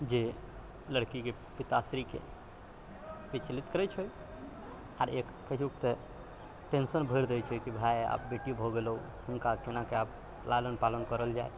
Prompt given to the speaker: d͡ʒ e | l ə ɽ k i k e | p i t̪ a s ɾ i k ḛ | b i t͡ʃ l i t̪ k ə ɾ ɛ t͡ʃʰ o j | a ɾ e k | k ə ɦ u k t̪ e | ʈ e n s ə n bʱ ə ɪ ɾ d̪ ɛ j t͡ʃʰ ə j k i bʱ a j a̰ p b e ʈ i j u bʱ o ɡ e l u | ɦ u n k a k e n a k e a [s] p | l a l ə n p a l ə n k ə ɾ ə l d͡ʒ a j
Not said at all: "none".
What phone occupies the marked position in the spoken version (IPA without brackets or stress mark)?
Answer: none